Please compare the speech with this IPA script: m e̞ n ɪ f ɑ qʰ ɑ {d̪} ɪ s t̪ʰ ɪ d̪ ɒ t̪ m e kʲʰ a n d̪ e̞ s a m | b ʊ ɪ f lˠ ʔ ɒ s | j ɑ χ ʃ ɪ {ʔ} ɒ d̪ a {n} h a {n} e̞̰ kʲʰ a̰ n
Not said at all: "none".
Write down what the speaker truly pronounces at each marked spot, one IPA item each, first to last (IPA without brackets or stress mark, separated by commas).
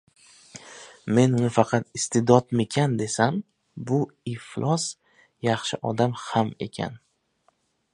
t̪, ʔ, m, m